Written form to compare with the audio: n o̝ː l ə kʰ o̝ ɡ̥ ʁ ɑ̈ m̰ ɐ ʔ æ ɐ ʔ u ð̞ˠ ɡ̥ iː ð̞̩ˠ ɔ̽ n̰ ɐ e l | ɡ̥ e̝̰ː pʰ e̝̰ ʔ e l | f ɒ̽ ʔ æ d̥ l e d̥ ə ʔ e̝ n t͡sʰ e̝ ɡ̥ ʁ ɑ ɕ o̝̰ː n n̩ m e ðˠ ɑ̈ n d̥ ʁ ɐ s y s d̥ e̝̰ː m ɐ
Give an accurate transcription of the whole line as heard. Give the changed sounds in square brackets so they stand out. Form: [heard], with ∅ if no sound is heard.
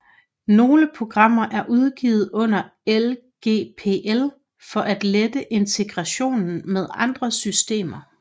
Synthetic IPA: n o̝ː l ə [pʰ] o̝ ɡ̥ ʁ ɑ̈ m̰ ɐ ʔ æ ɐ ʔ u ð̞ˠ ɡ̥ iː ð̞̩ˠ ɔ̽ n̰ ɐ e l | ɡ̥ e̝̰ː pʰ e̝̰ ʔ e l | f ɒ̽ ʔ æ d̥ l e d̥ ə ʔ e̝ n t͡sʰ e̝ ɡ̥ ʁ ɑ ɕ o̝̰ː n n̩ m e ðˠ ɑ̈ n d̥ ʁ ɐ s y s d̥ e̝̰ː m ɐ